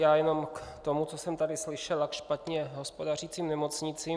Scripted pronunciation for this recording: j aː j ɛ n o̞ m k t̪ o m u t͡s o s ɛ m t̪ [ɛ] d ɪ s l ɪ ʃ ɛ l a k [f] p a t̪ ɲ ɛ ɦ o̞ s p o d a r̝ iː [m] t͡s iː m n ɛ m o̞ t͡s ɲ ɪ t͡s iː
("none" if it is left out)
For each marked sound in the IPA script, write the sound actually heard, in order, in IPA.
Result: a, ʃ, none

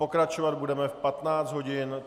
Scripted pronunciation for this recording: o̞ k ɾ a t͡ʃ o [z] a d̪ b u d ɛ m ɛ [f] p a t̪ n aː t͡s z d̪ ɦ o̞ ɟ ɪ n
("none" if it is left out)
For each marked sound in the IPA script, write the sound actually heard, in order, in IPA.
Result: v, f

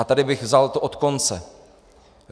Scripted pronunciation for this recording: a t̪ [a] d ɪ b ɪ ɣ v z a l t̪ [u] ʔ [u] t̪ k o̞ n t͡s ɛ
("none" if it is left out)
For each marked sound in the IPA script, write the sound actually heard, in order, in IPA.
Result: a, o, o

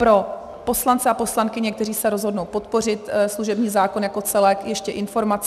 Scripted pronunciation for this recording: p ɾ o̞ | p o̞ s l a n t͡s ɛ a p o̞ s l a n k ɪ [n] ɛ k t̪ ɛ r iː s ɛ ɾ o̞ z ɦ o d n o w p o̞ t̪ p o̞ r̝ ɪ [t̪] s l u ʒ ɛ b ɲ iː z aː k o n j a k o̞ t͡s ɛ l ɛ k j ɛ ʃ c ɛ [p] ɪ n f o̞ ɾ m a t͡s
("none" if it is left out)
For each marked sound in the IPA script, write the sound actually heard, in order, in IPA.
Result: ɲ, t̪, ʔ

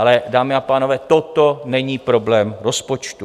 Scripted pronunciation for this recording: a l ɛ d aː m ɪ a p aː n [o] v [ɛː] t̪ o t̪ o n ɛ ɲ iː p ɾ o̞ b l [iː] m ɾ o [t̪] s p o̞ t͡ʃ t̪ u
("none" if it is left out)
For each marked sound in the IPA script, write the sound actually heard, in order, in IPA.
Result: o, ɛː, ɛː, none

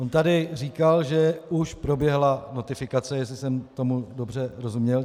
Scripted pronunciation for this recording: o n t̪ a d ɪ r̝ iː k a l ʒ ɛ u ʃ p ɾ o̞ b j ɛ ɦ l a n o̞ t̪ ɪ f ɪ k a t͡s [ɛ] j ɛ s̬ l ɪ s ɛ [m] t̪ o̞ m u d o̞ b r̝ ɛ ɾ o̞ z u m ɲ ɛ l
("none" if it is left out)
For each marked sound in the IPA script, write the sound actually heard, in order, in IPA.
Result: ɛ, m

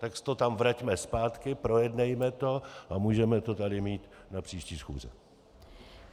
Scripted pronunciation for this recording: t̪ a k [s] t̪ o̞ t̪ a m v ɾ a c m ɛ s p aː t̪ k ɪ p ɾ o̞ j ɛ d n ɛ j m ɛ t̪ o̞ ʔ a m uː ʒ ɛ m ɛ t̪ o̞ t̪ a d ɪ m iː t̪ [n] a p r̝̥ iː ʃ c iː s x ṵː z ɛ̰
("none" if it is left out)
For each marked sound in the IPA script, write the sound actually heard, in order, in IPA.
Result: s, n

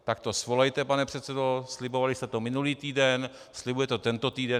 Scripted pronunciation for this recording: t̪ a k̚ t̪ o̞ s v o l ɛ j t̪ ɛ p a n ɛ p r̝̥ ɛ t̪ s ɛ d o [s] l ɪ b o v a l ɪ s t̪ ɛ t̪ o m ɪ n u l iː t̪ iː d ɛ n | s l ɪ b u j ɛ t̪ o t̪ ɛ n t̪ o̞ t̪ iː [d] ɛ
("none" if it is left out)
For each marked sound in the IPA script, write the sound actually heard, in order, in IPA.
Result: s, d

